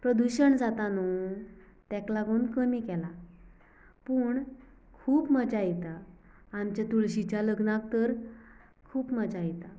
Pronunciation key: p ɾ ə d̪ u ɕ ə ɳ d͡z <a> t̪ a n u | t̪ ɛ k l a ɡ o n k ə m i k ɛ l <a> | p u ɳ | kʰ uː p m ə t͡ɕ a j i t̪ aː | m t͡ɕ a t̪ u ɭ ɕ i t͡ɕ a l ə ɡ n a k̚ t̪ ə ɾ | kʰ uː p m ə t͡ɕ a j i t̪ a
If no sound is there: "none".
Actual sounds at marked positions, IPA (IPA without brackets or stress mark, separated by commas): a, a